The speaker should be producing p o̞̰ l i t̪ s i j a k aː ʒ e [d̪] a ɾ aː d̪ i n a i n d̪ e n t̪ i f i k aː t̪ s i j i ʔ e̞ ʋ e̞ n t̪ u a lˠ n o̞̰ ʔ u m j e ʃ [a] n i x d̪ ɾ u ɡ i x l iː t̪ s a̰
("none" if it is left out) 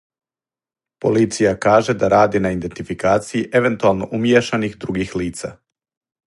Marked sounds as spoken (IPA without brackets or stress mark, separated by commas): d̪, a